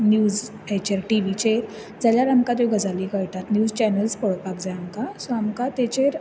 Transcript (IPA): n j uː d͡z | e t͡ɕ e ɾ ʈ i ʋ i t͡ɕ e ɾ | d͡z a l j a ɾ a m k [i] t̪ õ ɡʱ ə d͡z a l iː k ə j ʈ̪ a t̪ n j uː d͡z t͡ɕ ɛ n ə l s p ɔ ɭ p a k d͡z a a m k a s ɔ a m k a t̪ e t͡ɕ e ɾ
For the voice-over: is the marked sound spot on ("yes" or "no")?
no